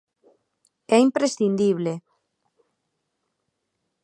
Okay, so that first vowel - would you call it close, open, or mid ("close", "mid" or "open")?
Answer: mid